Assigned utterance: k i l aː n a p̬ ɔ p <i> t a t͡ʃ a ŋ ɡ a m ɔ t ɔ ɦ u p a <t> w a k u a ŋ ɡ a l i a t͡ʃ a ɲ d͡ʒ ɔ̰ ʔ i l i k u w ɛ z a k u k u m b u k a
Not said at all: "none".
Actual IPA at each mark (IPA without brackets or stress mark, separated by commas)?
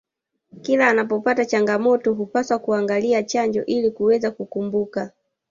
a, s